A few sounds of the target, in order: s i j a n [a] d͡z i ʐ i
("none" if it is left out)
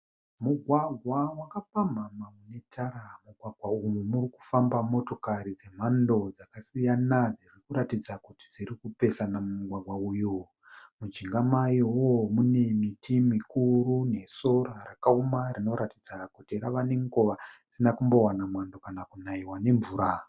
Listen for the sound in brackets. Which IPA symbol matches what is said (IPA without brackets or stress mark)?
a